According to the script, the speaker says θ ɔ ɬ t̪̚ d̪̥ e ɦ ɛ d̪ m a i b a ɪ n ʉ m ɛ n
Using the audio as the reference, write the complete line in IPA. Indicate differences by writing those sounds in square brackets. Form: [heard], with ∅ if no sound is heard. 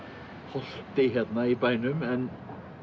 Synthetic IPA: [h] ɔ ɬ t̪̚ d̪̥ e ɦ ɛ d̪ [n] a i b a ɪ n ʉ m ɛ n